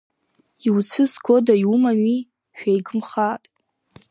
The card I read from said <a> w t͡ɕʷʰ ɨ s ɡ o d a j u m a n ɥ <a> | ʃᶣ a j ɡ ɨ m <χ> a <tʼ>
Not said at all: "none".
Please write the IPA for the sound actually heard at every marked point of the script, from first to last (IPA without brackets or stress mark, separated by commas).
i, i, χ, tʼ